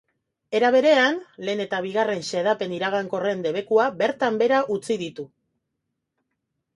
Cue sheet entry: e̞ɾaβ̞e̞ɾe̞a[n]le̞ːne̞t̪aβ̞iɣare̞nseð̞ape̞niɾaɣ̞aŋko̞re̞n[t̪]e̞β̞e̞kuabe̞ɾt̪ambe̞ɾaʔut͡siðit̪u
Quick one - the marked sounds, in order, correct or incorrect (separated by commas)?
correct, incorrect